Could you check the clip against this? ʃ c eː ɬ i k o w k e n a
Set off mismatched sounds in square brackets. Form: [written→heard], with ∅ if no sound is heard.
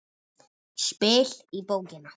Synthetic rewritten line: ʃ [c→p] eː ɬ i [k→p] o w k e n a